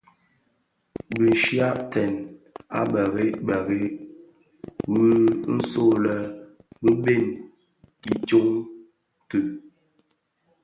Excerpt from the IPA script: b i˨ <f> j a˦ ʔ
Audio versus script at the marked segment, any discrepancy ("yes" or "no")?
yes